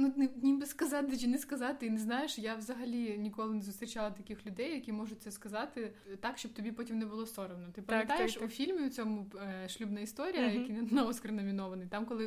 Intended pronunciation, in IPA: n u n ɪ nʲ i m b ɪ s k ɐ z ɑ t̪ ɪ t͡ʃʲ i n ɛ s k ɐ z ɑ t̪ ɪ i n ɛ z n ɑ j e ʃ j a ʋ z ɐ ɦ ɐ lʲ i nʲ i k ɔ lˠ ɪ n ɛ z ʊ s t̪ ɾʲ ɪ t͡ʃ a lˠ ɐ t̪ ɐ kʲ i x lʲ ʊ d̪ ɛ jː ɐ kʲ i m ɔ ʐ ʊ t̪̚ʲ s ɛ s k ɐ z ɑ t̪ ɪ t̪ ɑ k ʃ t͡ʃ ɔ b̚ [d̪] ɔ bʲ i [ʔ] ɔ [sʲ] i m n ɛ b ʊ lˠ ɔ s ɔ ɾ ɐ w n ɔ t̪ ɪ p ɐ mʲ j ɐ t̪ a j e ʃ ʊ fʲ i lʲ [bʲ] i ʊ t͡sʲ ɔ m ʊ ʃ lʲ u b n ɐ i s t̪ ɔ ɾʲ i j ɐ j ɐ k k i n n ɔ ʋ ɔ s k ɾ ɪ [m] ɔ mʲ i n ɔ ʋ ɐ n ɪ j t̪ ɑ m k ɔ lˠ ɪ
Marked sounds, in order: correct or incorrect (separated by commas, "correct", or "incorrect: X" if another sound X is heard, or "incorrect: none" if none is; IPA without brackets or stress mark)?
incorrect: t̪, incorrect: p, incorrect: tʲ, incorrect: mʲ, incorrect: n